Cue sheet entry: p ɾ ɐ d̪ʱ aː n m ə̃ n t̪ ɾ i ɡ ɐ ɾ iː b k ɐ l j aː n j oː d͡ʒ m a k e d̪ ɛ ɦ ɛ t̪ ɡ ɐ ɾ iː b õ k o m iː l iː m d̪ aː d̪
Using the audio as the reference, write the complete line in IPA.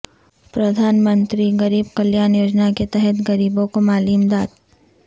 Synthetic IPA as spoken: p ɾ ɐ d̪ʱ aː n m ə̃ n t̪ ɾ i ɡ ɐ ɾ iː b k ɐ l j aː n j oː d͡ʒ n a k e t̪ ɛ ɦ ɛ t̪ ɡ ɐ ɾ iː b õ k o m aː l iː m d̪ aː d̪